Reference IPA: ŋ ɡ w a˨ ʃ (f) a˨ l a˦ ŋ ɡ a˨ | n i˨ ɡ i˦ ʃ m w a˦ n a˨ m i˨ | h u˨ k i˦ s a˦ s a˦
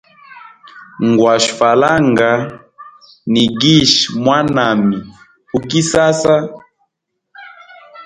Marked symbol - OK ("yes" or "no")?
yes